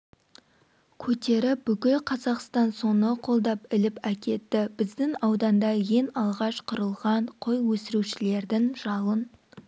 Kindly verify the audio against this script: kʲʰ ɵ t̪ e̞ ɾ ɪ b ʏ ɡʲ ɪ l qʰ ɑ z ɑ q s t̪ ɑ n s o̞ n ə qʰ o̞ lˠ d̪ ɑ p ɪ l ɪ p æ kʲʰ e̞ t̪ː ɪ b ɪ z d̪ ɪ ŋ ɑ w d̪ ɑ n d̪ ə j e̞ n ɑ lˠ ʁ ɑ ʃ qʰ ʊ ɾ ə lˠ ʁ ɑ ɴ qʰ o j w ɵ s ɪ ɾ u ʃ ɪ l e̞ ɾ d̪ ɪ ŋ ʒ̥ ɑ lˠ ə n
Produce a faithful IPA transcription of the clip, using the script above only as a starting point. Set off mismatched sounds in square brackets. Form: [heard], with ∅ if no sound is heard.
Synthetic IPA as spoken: kʲʰ ɵ t̪ e̞ ɾ ɪ b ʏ [kʲ] ɪ l qʰ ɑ z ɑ q s t̪ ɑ n s o̞ n ə qʰ o̞ lˠ d̪ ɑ p ɪ l ɪ p æ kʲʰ e̞ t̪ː ɪ b ɪ z d̪ ɪ ŋ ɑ w d̪ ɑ n d̪ [ɑ] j e̞ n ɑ lˠ ʁ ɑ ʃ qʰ ʊ ɾ ə lˠ ʁ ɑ ɴ qʰ o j w ɵ s ɪ ɾ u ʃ ɪ l e̞ ɾ d̪ ɪ ŋ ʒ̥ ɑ lˠ ə n